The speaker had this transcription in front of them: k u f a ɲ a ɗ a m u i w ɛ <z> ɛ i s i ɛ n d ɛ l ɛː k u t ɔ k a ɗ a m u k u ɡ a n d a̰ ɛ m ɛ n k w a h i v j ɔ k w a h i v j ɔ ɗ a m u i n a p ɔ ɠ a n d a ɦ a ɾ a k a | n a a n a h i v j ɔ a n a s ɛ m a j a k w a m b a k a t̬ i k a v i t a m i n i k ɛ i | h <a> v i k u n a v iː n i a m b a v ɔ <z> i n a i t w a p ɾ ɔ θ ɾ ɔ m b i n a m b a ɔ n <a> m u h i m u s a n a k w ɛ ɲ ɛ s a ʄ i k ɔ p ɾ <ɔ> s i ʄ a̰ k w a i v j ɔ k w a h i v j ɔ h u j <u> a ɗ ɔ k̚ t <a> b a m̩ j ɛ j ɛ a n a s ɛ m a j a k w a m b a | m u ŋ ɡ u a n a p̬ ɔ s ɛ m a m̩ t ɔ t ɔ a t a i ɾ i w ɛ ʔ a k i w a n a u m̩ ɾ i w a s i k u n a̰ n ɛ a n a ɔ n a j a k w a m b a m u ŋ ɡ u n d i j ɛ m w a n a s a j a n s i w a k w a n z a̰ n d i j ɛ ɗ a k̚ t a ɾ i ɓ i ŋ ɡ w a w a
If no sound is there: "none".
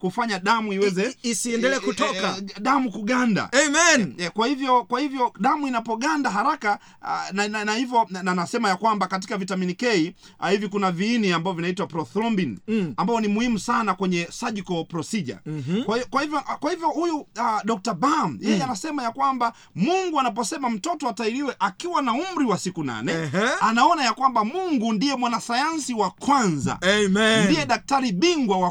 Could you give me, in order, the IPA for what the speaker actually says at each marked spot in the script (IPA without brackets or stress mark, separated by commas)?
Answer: z, i, v, i, ɔ, u, a